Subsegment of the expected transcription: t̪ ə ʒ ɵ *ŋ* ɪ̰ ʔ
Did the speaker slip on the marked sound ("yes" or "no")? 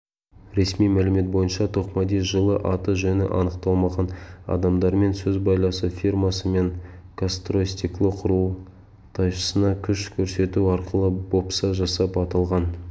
yes